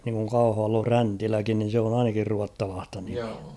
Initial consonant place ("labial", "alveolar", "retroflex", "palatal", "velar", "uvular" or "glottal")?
alveolar